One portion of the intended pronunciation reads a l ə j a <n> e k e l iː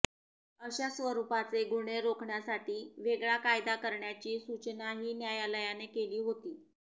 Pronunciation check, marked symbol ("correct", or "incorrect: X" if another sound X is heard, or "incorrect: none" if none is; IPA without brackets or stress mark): correct